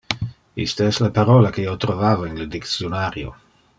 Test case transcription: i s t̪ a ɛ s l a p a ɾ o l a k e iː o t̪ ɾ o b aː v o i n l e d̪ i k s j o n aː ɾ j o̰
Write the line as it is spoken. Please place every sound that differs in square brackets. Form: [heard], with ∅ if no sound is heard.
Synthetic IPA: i s t̪ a ɛ s l a p a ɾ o l a k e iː o t̪ ɾ o [v] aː v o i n l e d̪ i k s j o n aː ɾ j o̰